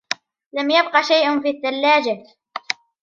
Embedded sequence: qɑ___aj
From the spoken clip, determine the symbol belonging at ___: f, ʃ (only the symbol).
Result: ʃ